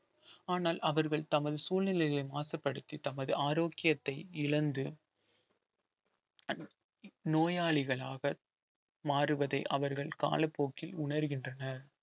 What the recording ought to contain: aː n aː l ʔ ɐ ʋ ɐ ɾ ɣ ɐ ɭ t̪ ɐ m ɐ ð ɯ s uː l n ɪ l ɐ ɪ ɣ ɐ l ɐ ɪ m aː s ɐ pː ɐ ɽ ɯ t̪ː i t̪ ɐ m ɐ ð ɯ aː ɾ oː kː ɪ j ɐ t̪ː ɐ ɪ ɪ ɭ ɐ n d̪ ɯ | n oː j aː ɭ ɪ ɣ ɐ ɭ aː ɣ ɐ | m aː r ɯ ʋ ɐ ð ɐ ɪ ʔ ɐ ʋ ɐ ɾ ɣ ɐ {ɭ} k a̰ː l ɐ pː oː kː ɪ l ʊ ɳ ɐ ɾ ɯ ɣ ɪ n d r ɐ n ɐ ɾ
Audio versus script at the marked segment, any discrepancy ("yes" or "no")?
no